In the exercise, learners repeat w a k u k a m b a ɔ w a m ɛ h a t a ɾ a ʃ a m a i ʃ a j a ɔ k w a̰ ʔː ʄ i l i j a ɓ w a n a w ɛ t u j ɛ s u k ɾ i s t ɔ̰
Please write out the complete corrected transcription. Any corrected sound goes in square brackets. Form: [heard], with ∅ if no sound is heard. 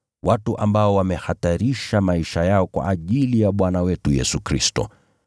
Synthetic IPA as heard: w a [t] u [ʔ] a m b a ɔ w a m ɛ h a t a ɾ [i] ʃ a m a i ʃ a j a ɔ k w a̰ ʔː ʄ i l i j a ɓ w a n a w ɛ t u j ɛ s u k ɾ i s t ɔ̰